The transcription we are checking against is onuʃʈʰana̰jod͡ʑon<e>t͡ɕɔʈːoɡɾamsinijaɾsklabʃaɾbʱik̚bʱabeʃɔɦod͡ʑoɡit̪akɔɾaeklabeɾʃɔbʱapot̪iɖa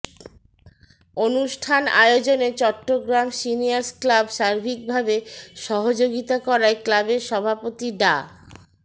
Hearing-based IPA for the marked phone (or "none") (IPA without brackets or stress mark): e